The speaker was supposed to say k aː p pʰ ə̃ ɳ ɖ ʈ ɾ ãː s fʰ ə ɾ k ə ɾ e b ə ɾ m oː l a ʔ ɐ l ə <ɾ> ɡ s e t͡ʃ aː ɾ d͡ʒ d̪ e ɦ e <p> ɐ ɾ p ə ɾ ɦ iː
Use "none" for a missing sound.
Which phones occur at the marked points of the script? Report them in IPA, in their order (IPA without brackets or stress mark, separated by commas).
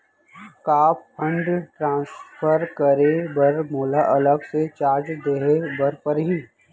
none, b